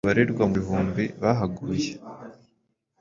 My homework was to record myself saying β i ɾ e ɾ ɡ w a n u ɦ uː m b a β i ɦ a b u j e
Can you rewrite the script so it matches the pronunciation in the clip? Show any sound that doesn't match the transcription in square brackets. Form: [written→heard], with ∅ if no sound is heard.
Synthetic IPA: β [i→a] ɾ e ɾ ɡ w a [n→m] u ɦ uː m b [a→i] β [i→a] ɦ a [b→ɡ] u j e